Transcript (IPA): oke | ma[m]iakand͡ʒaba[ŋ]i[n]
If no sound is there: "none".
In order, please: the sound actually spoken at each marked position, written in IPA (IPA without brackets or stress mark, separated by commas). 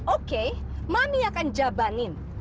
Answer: m, n, n